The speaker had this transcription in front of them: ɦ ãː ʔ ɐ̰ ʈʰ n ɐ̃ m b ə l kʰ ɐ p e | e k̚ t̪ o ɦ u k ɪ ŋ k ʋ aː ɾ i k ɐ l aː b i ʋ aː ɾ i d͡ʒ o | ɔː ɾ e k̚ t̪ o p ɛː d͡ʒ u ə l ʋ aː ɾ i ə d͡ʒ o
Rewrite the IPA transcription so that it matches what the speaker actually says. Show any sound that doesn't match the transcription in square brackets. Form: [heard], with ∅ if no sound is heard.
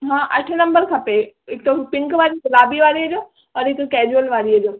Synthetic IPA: ɦ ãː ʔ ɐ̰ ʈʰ n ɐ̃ m b ə [ɾ] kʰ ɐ p e | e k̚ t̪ o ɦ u [p] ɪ ŋ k ʋ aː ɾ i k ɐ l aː b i ʋ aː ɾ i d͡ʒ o | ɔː ɾ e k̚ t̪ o [k] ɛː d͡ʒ u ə l ʋ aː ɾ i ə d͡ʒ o